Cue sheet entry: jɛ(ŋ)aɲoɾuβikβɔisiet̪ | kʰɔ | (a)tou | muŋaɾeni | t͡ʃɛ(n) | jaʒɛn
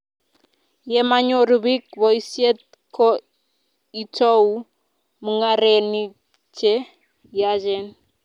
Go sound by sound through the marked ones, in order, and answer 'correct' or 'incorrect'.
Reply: incorrect, incorrect, incorrect

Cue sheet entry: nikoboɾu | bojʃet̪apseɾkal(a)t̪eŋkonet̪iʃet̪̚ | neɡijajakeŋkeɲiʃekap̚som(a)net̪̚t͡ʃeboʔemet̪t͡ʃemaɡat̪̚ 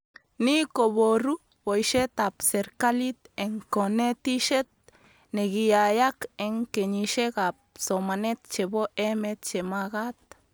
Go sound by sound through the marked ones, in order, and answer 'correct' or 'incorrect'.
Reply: incorrect, correct

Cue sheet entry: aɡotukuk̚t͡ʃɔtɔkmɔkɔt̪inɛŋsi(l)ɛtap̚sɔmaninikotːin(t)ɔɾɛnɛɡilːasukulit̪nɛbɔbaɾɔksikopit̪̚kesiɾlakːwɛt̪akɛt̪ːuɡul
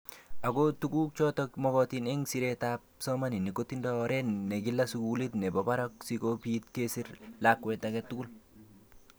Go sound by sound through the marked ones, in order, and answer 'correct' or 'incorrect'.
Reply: incorrect, incorrect

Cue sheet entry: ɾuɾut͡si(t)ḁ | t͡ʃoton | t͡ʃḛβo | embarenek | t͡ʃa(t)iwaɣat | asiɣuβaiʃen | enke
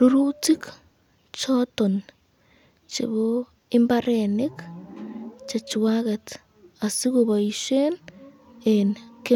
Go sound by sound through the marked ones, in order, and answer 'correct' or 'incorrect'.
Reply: incorrect, incorrect

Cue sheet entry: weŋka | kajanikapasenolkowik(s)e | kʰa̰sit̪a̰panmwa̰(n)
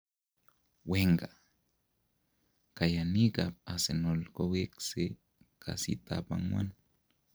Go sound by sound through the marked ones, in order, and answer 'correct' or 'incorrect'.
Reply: correct, correct

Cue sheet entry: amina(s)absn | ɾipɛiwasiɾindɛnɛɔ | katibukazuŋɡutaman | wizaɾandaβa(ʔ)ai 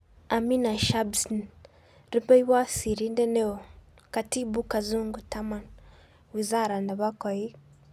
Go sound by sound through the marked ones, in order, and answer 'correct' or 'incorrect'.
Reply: incorrect, incorrect

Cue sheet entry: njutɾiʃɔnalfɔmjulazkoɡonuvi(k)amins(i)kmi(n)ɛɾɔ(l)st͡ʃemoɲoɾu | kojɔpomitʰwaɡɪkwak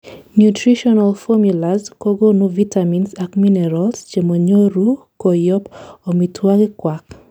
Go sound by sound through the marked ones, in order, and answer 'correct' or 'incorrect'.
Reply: incorrect, incorrect, correct, correct

